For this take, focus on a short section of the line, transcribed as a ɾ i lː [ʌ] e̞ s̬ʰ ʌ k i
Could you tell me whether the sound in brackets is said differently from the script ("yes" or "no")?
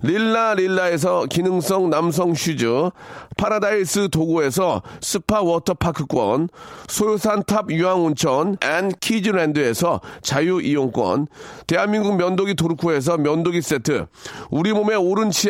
yes